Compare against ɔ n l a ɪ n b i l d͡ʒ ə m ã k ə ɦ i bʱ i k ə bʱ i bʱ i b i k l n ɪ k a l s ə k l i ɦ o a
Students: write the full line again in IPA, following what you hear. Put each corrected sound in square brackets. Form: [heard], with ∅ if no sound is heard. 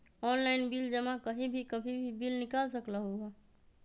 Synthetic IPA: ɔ n l a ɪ n b i l d͡ʒ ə m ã k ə ɦ i bʱ i k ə bʱ i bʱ i b i [∅] l n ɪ k a l s ə k l [a] ɦ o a